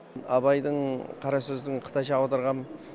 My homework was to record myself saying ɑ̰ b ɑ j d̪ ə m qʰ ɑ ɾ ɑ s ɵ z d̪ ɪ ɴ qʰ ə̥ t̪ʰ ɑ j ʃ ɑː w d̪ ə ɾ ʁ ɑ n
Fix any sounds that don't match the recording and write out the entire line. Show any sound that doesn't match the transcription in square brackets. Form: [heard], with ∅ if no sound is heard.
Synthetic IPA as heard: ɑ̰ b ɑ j d̪ ə [ɴ] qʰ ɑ ɾ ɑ s ɵ z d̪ ɪ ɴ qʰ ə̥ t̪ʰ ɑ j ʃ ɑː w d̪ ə ɾ ʁ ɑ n